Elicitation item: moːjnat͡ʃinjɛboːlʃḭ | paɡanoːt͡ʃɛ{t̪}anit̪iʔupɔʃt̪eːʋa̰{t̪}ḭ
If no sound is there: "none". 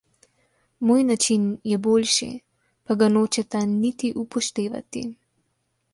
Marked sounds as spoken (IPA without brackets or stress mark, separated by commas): t̪, t̪